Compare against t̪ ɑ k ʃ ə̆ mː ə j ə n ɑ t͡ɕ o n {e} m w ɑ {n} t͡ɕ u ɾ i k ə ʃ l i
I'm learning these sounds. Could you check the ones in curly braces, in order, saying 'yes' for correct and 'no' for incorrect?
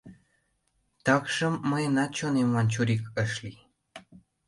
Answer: yes, yes

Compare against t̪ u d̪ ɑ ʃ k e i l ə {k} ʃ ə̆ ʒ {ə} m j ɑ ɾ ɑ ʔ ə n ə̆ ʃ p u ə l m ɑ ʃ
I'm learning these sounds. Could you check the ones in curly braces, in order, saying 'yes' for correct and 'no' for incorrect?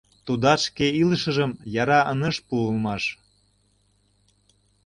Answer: no, yes

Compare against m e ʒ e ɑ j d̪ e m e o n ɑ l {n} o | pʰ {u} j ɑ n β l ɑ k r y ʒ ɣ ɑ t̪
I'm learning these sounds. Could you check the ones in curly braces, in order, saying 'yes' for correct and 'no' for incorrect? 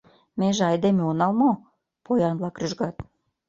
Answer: no, no

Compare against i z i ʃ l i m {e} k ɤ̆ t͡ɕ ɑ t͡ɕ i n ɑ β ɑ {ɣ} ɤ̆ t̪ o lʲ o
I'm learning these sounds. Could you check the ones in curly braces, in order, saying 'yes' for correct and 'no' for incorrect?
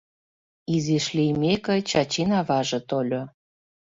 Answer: yes, no

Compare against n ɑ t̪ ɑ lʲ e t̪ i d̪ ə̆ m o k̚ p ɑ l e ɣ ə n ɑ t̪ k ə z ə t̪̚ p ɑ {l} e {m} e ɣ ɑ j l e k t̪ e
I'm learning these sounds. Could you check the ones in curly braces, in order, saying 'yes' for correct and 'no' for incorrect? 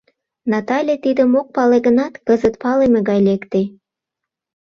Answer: yes, yes

